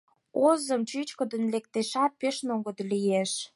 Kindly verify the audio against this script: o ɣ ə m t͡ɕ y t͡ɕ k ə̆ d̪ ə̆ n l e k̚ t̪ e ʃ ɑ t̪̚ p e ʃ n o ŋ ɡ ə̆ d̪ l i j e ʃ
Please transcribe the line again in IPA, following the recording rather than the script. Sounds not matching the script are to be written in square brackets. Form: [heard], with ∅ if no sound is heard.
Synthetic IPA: o [z] ə m t͡ɕ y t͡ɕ k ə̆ d̪ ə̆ n l e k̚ t̪ e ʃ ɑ t̪̚ p e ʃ n o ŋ ɡ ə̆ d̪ l i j e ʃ